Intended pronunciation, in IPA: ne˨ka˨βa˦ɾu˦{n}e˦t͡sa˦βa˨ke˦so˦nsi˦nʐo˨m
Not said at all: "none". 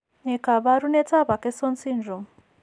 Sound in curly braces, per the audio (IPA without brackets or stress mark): n